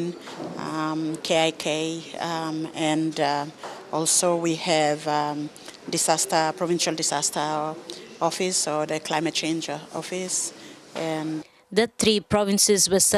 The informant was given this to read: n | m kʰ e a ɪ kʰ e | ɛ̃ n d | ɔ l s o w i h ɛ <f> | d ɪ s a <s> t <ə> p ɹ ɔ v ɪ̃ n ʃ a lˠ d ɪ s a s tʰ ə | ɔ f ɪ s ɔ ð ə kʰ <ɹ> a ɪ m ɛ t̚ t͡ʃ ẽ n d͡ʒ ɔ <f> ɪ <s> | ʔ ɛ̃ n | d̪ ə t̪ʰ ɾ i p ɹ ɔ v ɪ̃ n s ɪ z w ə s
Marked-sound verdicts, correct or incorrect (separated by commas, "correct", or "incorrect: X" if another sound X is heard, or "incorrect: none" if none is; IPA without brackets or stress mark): incorrect: v, correct, correct, incorrect: l, correct, correct